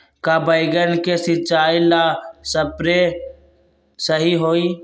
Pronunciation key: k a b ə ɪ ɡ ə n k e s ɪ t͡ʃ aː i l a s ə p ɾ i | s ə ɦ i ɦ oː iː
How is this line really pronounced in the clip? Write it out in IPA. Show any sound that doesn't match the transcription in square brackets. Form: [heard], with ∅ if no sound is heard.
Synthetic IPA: k a b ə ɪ ɡ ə n k e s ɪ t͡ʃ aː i l a s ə p ɾ [e] | s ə ɦ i ɦ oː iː

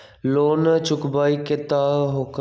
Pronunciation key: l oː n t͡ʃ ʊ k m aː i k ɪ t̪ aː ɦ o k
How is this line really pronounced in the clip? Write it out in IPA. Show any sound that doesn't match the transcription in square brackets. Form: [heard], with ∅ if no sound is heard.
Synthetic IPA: l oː n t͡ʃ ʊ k [b] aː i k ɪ t̪ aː ɦ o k

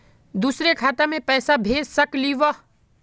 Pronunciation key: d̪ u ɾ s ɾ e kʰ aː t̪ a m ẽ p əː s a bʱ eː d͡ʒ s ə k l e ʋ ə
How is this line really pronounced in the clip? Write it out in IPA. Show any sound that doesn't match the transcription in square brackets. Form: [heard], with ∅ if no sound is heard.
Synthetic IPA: d̪ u [∅] s ɾ e kʰ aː t̪ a m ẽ p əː s a bʱ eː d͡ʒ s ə k l [i] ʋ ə

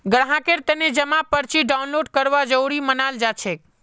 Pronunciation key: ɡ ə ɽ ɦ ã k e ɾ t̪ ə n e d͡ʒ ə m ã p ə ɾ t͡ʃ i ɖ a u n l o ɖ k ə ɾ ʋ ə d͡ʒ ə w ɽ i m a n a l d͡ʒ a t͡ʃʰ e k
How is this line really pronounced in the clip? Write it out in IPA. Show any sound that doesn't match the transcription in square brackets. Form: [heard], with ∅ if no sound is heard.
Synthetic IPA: ɡ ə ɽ ɦ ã k e ɾ t̪ ə n e d͡ʒ ə m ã p ə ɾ t͡ʃ i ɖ a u n l o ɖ k ə ɾ ʋ [a] d͡ʒ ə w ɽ i m [ə] n a l d͡ʒ a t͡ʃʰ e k

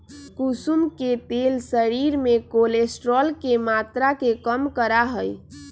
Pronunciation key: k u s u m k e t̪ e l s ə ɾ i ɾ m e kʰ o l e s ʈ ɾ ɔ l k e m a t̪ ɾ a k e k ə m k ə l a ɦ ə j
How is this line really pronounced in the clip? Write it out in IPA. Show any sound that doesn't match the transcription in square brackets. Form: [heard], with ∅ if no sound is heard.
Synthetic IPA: k u s u m k e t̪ e l s ə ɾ i ɾ m e [k] o l e s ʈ ɾ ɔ l k e m a t̪ ɾ a k e k ə m k ə [ɾ] a ɦ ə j

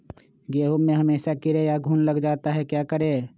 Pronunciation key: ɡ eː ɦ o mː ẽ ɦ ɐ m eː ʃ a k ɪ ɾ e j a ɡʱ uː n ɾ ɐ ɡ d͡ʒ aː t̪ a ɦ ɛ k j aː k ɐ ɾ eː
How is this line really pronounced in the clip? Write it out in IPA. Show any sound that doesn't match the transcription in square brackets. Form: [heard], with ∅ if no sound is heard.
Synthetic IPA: ɡ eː ɦ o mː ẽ ɦ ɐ m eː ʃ a k ɪ ɾ e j a ɡʱ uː n [l] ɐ ɡ d͡ʒ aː t̪ a ɦ ɛ k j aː k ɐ ɾ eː

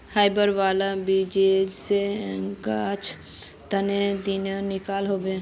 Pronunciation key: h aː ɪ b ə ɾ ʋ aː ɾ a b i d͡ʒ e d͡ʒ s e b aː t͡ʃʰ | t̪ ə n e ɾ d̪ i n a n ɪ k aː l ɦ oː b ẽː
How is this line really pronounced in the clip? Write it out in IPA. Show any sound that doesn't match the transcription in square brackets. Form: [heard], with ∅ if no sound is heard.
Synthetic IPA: h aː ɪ b ə ɾ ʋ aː [l] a b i d͡ʒ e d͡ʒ s e [ɡ] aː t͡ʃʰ | t̪ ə n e [∅] d̪ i n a n ɪ k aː l ɦ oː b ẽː

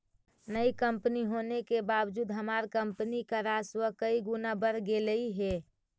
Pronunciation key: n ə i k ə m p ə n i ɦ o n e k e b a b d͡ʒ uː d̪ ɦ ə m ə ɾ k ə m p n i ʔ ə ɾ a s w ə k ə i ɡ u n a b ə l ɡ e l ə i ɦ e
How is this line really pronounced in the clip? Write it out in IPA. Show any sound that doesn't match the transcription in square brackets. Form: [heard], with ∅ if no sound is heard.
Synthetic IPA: n ə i k ə m p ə n i ɦ o n e k e b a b d͡ʒ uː d̪ ɦ ə m [a] ɾ k ə m p n i [k] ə ɾ a s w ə k ə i ɡ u n a b ə [ɾ] ɡ e l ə i ɦ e

